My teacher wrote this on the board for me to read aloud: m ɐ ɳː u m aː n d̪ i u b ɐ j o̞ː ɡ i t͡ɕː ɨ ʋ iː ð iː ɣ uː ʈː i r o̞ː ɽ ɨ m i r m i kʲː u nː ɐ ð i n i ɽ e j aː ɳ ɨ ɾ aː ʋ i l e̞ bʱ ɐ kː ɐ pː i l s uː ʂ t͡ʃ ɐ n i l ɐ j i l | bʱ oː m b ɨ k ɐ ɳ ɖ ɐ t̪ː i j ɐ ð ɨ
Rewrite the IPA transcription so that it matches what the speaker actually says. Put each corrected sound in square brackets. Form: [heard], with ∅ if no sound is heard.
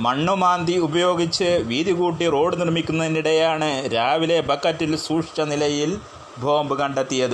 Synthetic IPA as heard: m ɐ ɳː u m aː n d̪ i u b ɐ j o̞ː ɡ i t͡ɕː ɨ ʋ iː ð [i] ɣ uː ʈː i r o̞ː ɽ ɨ [n] i r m i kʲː u nː ɐ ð i n i ɽ e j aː ɳ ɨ ɾ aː ʋ i l e̞ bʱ ɐ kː ɐ [tː] i l s uː ʂ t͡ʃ ɐ n i l ɐ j i l | bʱ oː m b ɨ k ɐ ɳ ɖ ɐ t̪ː i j ɐ ð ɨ